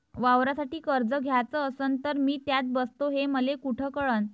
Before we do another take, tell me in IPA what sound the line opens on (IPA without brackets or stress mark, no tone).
ʋ